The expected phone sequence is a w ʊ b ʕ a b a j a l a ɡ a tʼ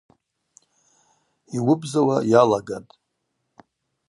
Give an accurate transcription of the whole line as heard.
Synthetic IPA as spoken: i w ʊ b z a w a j a l a ɡ a tʼ